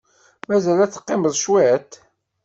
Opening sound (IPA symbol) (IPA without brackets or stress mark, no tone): m